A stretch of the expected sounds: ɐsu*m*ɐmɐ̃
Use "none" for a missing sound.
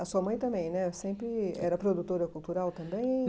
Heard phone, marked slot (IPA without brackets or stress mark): none